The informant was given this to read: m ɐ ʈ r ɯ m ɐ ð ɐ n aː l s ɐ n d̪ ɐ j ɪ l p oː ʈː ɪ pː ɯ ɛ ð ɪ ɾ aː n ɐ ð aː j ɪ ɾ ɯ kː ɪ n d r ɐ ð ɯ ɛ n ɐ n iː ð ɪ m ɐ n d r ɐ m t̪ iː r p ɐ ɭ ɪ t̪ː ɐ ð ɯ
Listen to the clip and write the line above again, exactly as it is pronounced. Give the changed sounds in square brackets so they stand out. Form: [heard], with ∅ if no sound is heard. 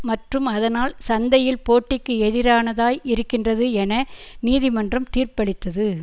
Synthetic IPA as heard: m ɐ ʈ r ɯ m ɐ ð ɐ n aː l s ɐ n d̪ ɐ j ɪ l p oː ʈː ɪ [kː] ɯ ɛ ð ɪ ɾ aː n ɐ ð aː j ɪ ɾ ɯ kː ɪ n d r ɐ ð ɯ ɛ n ɐ n iː ð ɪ m ɐ n d r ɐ m t̪ iː r p ɐ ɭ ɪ t̪ː ɐ ð ɯ